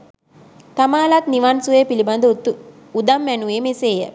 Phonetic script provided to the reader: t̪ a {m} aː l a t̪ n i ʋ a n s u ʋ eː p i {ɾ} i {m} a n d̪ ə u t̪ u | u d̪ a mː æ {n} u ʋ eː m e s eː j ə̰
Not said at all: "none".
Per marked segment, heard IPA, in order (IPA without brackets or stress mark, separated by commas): m, l, b, n